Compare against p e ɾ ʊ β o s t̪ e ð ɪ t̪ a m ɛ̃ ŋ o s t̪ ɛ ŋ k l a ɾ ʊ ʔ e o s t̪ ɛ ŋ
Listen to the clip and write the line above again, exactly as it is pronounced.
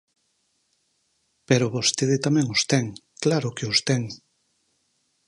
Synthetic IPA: p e ɾ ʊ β o s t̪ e ð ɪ t̪ a m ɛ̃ ŋ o s t̪ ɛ ŋ k l a ɾ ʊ k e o s t̪ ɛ ŋ